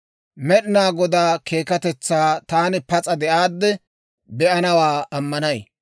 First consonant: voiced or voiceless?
voiced